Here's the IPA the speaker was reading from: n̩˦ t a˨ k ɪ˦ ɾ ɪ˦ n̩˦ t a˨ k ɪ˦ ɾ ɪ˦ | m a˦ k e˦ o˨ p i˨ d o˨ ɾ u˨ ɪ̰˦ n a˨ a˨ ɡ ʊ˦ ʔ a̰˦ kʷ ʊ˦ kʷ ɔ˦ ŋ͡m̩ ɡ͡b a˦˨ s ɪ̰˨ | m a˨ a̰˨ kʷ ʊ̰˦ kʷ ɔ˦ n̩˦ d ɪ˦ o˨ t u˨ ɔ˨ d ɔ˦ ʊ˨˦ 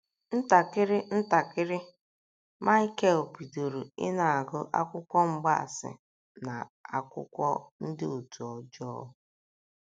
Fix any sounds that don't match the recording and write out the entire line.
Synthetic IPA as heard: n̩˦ t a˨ k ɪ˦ ɾ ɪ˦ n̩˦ t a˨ k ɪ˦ ɾ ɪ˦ | m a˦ k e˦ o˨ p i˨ d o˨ ɾ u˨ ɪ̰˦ n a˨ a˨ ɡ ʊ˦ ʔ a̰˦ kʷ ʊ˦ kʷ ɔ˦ ŋ͡m̩ ɡ͡b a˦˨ s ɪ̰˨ | n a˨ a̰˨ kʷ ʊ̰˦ kʷ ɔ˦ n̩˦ d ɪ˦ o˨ t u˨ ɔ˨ d͡ʒ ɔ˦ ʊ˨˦

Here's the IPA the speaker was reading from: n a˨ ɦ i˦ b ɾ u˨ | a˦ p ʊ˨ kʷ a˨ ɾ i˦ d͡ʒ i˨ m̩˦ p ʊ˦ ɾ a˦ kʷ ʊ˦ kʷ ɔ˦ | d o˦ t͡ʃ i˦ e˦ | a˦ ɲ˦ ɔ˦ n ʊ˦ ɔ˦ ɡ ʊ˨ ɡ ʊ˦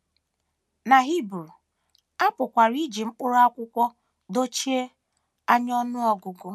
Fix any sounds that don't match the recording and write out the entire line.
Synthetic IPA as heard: n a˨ ɦ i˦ b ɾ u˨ | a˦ p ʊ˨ kʷ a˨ ɾ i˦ d͡ʒ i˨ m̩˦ k͡p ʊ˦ ɾ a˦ kʷ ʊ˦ kʷ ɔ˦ | d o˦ t͡ʃ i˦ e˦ | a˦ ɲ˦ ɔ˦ n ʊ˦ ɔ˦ ɡ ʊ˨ ɡ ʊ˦

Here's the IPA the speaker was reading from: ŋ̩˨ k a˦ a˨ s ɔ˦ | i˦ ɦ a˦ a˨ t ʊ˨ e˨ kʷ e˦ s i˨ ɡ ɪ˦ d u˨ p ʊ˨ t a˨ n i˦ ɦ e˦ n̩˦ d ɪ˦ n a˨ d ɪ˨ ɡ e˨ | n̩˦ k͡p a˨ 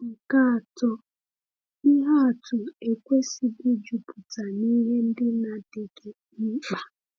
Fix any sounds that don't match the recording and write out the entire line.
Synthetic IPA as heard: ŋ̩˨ k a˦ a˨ t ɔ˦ | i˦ ɦ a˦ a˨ t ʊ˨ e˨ kʷ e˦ s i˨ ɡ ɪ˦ d͡ʒ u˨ p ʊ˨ t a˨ n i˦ ɦ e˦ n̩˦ d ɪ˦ n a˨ d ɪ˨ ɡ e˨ | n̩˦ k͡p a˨

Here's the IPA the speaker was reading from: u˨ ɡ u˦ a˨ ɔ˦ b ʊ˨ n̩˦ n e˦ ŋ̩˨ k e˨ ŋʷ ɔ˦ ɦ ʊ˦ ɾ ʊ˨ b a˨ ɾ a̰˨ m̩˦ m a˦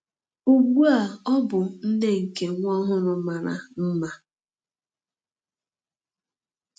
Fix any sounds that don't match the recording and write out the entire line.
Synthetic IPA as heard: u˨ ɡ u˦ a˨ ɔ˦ b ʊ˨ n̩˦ n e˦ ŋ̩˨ k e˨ ŋʷ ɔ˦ ɦ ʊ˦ ɾ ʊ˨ m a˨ ɾ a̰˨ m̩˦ m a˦

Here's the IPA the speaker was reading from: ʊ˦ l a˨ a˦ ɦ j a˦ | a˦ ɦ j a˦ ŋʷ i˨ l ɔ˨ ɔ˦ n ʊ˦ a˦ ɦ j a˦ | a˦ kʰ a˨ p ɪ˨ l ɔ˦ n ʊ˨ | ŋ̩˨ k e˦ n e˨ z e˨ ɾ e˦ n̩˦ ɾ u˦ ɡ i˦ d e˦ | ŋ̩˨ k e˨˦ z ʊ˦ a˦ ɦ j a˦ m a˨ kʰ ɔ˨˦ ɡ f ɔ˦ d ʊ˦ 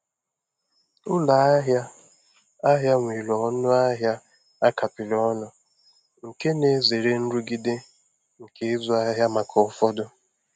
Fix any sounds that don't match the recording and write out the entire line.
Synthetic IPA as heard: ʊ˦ l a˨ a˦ ɦ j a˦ | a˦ ɦ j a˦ ŋʷ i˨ l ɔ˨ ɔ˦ n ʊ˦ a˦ ɦ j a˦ | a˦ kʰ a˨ p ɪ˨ l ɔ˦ n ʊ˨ | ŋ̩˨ k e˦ n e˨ z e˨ ɾ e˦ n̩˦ ɾ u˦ ɡ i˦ d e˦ | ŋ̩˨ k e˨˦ z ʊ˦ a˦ ɦ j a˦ m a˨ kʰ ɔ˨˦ f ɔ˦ d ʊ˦

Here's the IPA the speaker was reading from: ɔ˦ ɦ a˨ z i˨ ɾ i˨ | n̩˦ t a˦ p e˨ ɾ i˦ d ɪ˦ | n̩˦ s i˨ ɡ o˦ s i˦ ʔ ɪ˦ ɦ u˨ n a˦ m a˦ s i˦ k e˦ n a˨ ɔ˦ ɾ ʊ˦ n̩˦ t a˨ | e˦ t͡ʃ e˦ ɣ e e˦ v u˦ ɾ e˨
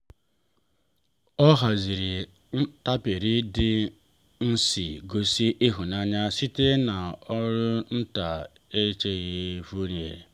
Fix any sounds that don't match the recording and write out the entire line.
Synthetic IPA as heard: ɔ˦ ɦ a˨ z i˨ ɾ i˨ | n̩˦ t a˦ p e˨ ɾ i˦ d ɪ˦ | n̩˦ s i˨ ɡ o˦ s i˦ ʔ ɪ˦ ɦ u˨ n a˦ ɲ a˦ s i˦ t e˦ n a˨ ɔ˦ ɾ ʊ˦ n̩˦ t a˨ | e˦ t͡ʃ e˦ ɣ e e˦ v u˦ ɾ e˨

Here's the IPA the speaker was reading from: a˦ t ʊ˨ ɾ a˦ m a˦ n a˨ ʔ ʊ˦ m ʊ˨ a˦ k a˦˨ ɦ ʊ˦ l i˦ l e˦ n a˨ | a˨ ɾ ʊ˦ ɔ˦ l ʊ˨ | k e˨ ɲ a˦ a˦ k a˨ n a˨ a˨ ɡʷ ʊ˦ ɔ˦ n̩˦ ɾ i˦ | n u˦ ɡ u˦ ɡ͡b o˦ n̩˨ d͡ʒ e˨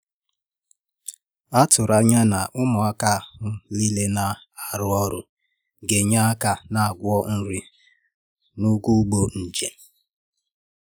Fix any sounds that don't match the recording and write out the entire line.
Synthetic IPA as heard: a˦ t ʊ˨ ɾ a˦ ɲ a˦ n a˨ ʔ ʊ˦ m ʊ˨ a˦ k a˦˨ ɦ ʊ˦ l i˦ l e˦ n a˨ | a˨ ɾ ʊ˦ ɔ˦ ɾ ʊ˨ | ɡ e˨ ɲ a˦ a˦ k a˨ n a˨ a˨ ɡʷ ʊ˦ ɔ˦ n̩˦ ɾ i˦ | n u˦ ɡ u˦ ɡ͡b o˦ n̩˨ d͡ʒ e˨

